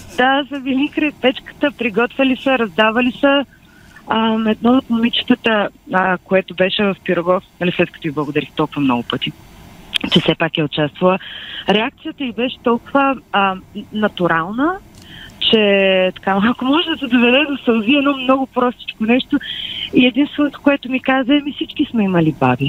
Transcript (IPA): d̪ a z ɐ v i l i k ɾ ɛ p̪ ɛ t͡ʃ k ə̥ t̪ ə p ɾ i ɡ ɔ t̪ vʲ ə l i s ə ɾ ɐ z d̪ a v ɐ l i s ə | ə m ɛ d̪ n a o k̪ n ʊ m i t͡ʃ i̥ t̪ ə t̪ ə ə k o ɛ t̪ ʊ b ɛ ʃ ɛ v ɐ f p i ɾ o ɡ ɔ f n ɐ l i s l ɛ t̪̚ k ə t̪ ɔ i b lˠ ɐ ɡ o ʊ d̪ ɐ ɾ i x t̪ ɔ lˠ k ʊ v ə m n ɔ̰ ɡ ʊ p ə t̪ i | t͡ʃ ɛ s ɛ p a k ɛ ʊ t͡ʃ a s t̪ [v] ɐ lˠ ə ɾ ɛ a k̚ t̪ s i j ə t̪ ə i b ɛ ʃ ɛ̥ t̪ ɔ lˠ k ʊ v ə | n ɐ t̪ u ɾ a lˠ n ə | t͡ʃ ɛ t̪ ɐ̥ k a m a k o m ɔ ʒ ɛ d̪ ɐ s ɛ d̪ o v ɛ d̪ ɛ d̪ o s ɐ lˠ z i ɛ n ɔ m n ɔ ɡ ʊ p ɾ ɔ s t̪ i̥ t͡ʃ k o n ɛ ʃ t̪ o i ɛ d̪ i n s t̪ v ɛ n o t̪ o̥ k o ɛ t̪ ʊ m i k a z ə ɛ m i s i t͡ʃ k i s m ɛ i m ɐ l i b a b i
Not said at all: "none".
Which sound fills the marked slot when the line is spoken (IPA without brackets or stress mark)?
v